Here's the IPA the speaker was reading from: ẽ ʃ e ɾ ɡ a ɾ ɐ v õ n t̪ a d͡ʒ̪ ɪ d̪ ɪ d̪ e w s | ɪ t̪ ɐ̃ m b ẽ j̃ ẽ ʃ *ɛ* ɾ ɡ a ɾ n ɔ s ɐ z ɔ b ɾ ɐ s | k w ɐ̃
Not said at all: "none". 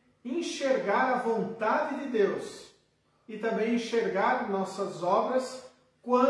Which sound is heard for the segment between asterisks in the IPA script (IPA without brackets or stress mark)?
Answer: e